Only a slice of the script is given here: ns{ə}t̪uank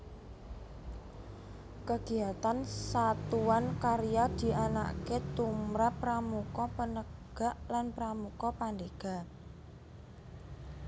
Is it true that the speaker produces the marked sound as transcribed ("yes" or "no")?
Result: no